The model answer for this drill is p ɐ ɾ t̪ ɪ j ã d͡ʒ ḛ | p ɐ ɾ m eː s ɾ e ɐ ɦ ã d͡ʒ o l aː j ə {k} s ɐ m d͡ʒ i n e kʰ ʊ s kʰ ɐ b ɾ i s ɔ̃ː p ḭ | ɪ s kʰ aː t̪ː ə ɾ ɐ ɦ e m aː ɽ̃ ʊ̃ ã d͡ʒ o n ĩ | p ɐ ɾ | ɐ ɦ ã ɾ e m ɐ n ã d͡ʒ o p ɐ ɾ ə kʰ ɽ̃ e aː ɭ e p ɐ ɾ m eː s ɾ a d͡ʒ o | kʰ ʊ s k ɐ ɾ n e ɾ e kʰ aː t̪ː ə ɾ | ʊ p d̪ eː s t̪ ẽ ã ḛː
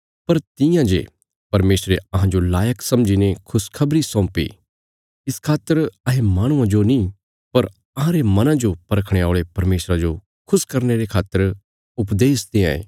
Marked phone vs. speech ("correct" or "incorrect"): correct